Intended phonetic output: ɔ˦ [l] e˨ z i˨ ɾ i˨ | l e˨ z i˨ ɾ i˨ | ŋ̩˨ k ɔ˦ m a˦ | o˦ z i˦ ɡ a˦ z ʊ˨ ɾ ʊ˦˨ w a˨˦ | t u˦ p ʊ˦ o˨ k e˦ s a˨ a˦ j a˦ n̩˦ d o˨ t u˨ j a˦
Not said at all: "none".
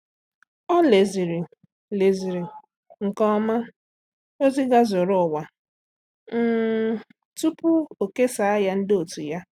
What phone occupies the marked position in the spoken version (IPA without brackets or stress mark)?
l